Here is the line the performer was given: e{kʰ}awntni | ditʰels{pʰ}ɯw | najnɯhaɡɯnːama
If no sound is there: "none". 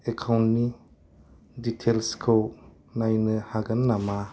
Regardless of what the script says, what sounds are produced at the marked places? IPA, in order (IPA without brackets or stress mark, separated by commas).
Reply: kʰ, kʰ